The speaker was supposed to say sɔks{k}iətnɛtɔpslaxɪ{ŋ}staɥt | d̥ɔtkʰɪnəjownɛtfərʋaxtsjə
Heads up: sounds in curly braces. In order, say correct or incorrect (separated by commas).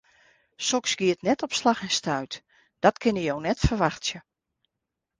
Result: incorrect, incorrect